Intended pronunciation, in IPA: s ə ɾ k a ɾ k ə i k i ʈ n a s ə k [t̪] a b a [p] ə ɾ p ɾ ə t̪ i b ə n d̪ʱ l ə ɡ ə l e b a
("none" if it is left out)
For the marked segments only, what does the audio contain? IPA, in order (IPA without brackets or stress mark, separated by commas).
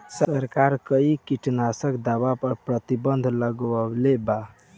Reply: d̪, p